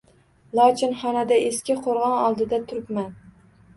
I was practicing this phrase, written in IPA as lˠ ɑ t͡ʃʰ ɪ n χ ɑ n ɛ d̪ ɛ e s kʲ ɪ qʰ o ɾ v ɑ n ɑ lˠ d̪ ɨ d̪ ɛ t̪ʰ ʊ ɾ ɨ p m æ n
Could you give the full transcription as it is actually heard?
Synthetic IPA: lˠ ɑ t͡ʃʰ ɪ n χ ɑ n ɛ d̪ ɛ e s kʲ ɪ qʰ o ɾ ʁ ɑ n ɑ lˠ d̪ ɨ d̪ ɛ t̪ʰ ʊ ɾ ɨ p m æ n